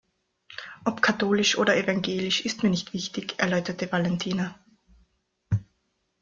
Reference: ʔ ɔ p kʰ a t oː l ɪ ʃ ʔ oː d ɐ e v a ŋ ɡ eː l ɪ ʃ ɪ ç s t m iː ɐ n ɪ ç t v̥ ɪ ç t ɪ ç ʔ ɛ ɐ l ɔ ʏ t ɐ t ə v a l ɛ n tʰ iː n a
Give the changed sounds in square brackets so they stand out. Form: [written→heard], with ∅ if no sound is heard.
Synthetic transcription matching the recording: ʔ ɔ p kʰ a t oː l ɪ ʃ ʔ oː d ɐ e v a ŋ ɡ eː l ɪ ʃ ɪ [ç→∅] s t m iː ɐ n ɪ ç t v̥ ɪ ç t ɪ ç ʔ ɛ ɐ l ɔ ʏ t ɐ t ə v a l ɛ n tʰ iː n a